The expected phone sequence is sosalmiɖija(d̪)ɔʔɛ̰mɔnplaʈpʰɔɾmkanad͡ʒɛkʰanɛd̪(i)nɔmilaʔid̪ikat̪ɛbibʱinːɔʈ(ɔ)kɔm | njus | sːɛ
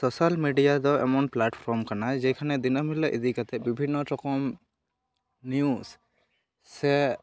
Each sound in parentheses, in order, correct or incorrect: correct, correct, correct

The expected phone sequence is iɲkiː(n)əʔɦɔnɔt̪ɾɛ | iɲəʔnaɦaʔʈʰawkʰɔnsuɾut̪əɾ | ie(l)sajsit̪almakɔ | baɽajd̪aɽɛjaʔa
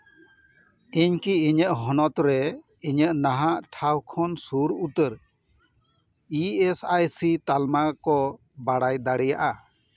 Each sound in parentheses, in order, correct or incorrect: incorrect: ɲ, incorrect: none

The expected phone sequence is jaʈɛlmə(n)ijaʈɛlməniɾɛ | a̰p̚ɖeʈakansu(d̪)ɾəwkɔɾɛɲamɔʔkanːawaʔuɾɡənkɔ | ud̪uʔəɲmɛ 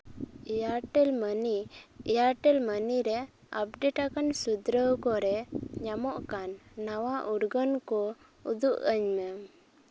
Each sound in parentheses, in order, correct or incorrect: correct, correct

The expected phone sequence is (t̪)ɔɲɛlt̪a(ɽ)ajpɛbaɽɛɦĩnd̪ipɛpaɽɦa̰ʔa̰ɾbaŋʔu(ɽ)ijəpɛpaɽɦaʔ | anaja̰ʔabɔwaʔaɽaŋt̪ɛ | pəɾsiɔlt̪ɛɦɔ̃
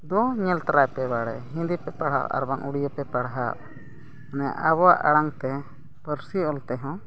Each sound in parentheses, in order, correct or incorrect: incorrect: d̪, incorrect: ɾ, correct

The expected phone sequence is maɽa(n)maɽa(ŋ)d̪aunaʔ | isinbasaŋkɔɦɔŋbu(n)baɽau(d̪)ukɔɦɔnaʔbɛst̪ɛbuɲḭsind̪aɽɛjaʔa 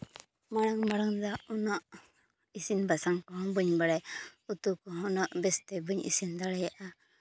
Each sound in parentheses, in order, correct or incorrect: incorrect: ŋ, correct, incorrect: ɲ, incorrect: t̪

